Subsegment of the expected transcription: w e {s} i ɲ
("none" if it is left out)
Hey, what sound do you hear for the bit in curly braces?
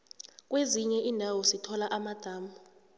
z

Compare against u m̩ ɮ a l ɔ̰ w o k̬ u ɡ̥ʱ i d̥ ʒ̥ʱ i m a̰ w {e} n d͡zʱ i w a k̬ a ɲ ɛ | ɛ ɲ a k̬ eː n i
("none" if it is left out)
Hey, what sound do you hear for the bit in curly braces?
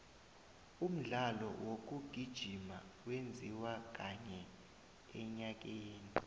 e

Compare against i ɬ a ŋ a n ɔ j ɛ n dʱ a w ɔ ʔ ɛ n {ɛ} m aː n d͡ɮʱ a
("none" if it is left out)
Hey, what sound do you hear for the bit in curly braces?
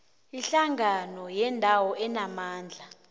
a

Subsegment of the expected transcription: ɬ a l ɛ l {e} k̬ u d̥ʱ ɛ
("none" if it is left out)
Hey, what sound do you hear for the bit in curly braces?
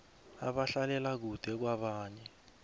a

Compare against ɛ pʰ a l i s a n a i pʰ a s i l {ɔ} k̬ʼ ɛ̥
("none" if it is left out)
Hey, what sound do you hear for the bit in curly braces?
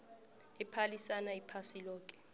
ɔː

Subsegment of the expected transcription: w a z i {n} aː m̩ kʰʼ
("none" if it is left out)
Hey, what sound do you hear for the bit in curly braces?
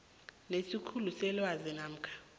n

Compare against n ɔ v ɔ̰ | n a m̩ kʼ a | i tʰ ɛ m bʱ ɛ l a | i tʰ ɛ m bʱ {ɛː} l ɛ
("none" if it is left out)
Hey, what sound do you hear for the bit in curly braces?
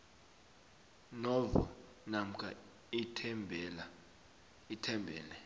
ɛː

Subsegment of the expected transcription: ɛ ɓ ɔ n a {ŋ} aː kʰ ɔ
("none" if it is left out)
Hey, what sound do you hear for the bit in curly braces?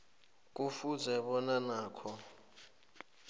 n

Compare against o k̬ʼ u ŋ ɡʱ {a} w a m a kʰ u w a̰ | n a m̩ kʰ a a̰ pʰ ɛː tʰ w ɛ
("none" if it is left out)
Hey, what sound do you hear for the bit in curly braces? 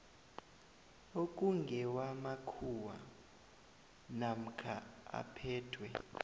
ɛ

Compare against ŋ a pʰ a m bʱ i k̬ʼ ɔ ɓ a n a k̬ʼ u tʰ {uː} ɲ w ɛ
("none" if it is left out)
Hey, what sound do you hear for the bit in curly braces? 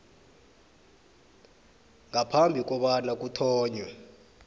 ɔː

